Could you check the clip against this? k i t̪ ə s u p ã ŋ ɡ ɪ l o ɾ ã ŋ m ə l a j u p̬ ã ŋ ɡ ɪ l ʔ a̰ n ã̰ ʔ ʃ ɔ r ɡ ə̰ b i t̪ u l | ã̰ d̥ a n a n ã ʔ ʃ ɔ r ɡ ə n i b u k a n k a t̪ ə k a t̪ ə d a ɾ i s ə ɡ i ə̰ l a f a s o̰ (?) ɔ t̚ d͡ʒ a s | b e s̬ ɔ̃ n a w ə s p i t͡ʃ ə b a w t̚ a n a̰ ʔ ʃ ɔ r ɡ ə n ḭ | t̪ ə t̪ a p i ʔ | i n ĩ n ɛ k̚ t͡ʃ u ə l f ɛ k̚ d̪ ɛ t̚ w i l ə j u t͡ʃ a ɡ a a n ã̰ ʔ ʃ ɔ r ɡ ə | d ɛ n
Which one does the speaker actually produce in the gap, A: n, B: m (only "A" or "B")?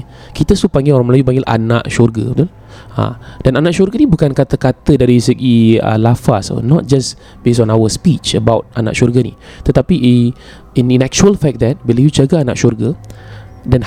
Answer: A